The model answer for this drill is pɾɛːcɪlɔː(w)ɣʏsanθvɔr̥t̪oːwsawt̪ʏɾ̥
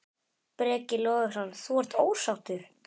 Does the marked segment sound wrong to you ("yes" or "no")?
yes